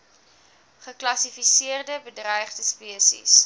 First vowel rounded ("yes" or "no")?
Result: no